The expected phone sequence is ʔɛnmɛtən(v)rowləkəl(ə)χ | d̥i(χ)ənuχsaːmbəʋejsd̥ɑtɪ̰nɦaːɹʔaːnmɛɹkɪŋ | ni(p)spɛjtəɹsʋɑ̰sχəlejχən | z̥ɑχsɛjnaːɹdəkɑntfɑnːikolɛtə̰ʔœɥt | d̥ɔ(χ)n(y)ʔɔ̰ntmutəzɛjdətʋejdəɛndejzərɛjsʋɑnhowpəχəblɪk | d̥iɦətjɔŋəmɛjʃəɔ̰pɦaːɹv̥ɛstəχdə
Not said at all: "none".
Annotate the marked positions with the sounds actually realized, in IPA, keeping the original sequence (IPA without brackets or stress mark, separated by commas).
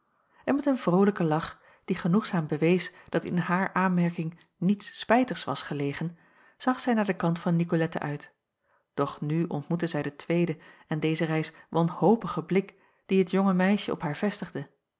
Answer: v, ɑ, χ, t, χ, y